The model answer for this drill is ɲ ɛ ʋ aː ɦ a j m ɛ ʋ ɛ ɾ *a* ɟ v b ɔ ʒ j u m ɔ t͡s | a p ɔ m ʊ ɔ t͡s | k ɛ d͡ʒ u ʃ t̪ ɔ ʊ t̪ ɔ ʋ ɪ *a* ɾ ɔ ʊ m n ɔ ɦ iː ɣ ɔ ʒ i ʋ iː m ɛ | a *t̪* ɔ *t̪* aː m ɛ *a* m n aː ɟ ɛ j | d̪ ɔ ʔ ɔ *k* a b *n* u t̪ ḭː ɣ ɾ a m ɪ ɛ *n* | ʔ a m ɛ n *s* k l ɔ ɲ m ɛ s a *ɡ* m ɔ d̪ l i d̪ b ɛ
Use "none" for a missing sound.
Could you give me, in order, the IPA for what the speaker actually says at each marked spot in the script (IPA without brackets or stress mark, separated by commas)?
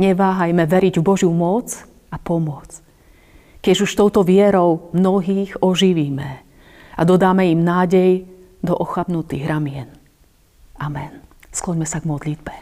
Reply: i, ɛ, d̪, d̪, i, x, n, n, s, ɡ